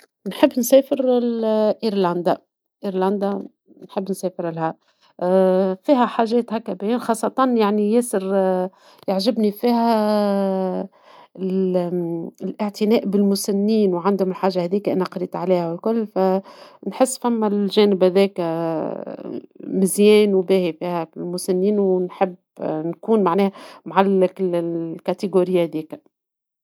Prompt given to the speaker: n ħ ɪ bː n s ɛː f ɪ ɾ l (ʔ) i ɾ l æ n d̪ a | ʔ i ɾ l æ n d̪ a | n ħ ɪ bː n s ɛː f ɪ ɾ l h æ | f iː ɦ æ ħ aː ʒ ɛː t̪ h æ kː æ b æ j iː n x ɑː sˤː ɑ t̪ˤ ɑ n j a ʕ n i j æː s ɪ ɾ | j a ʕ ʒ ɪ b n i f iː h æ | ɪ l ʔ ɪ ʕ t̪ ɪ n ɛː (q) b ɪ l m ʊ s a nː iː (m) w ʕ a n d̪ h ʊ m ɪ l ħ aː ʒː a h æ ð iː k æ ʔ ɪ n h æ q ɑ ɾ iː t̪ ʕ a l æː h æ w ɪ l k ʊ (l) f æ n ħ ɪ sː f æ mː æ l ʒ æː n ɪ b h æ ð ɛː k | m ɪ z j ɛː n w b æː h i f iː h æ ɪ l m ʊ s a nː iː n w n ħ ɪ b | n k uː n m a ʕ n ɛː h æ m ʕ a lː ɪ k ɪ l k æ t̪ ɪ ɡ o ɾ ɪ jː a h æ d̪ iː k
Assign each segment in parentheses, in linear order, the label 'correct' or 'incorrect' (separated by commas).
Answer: correct, incorrect, incorrect, incorrect